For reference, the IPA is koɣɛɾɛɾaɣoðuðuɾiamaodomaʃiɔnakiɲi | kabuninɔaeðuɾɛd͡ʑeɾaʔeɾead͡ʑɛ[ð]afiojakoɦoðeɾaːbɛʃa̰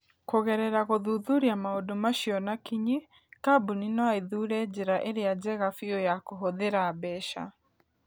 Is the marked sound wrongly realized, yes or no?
yes